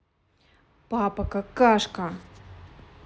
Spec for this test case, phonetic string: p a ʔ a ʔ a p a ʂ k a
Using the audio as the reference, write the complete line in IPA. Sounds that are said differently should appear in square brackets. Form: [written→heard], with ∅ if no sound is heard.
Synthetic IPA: p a [ʔ→p] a [ʔ→k] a [p→k] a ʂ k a